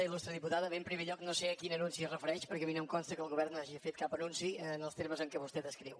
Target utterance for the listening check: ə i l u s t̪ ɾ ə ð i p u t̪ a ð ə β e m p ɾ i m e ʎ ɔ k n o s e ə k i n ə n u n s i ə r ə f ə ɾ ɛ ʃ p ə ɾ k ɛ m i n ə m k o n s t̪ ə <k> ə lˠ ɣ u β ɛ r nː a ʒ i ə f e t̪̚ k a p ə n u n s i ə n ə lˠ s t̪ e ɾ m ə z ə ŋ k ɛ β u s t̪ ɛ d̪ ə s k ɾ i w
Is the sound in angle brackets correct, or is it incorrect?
correct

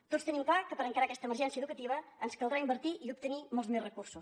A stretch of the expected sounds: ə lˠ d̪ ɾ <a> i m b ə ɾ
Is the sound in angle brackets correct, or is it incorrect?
correct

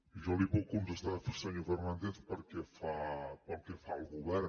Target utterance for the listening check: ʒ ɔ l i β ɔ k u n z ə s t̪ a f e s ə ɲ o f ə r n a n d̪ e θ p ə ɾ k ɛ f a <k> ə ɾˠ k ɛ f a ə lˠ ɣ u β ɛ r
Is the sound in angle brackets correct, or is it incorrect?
incorrect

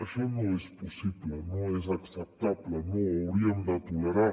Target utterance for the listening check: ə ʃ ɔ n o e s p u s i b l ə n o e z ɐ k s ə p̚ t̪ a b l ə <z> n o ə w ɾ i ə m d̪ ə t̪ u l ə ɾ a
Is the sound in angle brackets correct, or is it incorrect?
incorrect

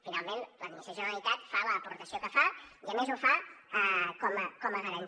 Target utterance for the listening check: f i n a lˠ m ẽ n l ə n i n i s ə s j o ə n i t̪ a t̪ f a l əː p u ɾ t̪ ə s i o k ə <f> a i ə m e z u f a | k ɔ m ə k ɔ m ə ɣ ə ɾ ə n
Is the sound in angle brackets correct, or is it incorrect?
correct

